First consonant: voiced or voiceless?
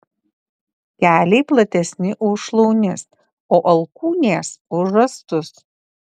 voiceless